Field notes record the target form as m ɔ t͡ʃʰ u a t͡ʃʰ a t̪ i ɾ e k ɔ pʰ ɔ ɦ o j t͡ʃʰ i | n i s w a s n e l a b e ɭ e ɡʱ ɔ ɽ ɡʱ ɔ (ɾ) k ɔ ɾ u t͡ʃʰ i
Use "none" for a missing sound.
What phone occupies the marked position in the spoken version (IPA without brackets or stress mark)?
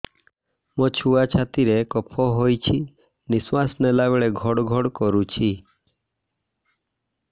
ɽ